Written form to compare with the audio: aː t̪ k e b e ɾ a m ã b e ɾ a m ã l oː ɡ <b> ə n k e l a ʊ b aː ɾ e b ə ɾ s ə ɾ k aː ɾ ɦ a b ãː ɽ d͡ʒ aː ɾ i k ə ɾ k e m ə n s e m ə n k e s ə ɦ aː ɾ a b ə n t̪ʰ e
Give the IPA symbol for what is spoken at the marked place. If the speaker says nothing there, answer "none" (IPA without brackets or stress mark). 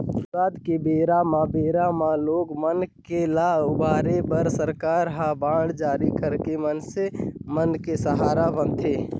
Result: m